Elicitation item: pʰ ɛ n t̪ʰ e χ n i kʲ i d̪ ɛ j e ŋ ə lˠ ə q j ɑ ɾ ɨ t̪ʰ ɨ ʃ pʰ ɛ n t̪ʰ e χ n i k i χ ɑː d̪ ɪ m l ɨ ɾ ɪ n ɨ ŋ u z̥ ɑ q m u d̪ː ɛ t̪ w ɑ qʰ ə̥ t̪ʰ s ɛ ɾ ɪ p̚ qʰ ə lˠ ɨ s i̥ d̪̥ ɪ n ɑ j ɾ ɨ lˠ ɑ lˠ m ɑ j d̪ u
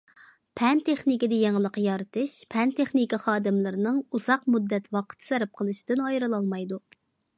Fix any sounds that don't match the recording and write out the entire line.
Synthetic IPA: pʰ ɛ n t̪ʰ e χ n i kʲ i d̪ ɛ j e ŋ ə lˠ ə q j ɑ ɾ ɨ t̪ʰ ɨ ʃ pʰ ɛ n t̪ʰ e χ n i k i χ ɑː d̪ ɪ m l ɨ ɾ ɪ n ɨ ŋ u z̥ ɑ q m u d̪ː ɛ t̪ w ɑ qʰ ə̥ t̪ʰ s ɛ ɾ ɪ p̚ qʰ ə lˠ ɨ ʃ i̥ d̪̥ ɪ n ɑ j ɾ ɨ lˠ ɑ lˠ m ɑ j d̪ u